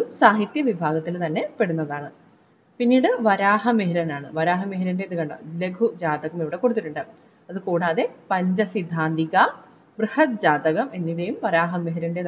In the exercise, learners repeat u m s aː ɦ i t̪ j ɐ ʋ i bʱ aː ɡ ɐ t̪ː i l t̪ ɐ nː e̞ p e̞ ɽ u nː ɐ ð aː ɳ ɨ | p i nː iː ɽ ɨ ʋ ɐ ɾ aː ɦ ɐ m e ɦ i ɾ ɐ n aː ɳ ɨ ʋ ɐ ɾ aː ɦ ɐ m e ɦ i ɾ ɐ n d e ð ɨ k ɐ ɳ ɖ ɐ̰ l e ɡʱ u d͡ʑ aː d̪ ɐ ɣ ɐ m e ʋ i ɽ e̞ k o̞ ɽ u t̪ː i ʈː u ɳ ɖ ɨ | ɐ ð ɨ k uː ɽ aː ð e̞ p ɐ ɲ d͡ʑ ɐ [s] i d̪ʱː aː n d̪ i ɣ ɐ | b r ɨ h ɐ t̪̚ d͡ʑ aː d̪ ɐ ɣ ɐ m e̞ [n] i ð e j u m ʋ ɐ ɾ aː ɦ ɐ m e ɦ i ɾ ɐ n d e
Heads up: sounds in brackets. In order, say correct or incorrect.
correct, incorrect: nː

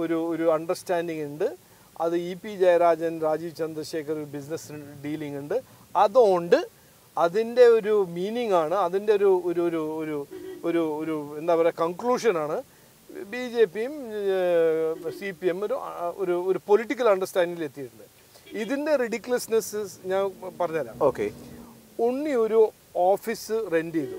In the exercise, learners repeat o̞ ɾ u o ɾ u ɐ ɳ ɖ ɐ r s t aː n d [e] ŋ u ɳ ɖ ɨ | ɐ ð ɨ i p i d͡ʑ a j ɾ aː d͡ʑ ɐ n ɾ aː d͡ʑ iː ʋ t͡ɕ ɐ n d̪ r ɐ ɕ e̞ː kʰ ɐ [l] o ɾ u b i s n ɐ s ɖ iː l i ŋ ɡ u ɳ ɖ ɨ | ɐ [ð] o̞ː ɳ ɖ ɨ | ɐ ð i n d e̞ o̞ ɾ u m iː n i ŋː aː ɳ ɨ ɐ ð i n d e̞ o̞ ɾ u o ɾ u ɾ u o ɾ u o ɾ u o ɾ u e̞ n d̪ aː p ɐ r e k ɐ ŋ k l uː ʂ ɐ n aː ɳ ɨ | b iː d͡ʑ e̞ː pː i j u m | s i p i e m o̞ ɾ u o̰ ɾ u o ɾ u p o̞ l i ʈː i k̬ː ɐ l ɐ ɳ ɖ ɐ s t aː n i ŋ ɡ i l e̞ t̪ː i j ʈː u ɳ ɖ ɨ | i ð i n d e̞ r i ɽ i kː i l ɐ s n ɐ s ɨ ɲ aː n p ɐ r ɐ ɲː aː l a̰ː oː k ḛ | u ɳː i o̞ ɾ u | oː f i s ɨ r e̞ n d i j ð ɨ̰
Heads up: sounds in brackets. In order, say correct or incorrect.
incorrect: i, incorrect: r, correct

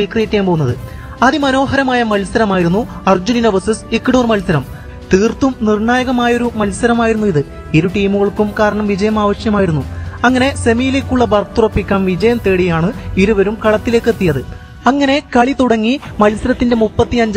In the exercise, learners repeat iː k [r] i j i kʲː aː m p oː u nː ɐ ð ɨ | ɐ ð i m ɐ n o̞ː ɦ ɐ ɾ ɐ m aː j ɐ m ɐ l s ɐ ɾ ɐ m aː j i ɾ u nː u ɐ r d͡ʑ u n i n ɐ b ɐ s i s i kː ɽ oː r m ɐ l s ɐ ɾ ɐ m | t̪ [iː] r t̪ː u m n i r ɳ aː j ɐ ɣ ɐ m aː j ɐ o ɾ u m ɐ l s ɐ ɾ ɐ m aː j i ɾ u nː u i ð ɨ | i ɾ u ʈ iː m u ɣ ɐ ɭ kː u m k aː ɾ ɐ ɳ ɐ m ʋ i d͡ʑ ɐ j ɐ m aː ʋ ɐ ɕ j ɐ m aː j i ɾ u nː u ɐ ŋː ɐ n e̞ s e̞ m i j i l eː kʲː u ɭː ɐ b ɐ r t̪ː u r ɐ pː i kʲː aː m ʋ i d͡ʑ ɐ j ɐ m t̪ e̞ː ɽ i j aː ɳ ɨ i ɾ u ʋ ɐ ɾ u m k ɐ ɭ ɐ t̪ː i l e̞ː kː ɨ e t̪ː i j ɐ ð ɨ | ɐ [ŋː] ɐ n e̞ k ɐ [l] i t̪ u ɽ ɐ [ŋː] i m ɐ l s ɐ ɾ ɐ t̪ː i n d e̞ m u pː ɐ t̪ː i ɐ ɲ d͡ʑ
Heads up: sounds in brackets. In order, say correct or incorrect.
correct, correct, correct, incorrect: ɭ, correct

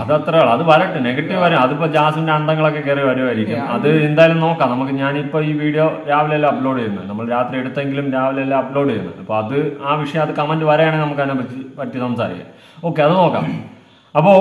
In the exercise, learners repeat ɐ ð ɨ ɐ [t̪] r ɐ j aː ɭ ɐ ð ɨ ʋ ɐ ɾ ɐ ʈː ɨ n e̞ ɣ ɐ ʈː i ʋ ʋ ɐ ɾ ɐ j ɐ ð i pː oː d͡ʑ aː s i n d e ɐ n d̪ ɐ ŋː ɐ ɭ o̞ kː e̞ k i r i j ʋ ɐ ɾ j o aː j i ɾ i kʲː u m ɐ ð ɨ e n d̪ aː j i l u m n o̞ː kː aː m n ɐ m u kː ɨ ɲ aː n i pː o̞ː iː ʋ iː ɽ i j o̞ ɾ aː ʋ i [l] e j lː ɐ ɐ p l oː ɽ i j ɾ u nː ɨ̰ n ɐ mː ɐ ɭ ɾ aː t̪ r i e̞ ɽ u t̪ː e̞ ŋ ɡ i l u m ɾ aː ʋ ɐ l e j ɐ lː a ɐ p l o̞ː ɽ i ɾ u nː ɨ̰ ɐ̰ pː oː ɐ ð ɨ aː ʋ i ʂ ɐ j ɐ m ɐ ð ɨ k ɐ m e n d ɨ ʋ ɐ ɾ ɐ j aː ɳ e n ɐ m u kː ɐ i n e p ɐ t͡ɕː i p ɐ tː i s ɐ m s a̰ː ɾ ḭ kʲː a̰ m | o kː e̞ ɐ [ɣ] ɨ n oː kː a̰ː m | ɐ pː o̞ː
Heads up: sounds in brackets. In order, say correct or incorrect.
correct, correct, incorrect: ð

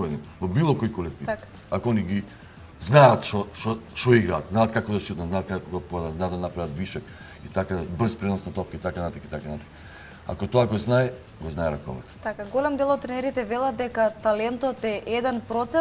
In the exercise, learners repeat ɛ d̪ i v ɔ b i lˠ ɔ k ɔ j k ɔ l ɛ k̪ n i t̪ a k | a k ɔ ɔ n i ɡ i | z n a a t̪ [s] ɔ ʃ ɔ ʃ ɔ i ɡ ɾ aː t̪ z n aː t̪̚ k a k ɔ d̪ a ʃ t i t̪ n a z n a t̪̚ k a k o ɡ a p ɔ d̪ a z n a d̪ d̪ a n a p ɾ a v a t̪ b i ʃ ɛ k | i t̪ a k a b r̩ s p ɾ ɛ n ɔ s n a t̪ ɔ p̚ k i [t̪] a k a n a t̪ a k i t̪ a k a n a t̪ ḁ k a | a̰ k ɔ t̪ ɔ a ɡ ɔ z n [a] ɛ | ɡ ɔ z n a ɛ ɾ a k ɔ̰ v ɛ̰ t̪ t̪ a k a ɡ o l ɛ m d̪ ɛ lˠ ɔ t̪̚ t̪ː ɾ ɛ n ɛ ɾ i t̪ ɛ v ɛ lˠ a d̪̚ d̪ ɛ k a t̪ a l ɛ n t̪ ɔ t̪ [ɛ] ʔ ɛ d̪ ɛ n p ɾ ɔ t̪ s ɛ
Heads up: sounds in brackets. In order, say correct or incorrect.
incorrect: ʃ, correct, correct, correct

